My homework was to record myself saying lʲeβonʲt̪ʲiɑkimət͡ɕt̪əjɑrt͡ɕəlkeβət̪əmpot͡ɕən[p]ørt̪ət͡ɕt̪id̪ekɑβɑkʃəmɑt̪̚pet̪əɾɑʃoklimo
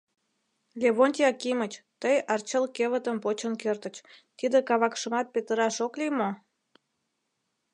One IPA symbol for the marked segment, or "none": k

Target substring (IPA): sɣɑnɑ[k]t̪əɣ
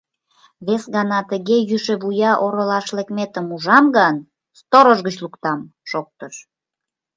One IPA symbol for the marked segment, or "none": none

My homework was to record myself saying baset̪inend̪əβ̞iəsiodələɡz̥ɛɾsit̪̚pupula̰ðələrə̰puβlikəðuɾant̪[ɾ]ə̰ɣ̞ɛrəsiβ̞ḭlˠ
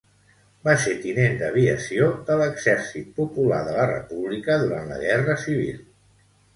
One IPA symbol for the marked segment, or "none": l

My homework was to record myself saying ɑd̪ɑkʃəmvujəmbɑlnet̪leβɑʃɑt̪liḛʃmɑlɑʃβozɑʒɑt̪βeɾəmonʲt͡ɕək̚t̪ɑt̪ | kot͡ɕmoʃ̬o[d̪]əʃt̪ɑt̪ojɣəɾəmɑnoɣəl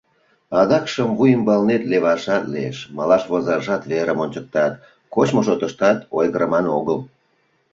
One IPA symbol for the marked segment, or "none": t̪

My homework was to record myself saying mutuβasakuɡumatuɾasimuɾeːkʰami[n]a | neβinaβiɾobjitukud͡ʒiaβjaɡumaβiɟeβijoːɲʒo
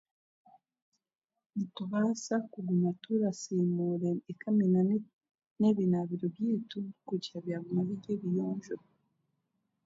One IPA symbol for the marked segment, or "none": n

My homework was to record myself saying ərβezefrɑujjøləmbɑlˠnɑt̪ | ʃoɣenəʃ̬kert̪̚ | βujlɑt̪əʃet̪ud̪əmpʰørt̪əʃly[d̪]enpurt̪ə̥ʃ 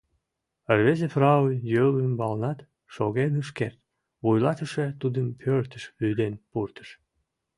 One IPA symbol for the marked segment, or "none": d̪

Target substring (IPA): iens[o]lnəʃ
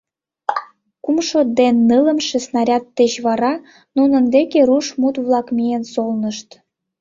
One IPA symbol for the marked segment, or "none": o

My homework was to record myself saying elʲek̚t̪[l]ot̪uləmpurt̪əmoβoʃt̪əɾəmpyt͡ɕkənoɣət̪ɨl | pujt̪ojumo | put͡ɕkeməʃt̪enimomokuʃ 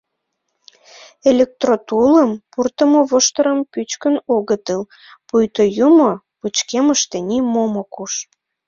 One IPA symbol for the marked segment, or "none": r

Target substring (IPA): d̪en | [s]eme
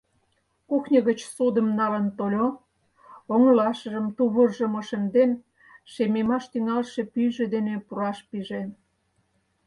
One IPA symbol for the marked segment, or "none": ʃ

